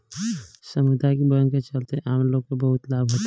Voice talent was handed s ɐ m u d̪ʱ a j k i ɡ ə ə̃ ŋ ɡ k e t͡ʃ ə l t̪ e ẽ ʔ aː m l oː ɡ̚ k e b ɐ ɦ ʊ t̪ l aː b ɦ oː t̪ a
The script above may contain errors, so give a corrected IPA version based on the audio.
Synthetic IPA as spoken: s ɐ m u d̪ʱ a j k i b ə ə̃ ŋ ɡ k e t͡ʃ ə l t̪ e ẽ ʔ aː m l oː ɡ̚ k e b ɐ ɦ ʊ t̪ l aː b ɦ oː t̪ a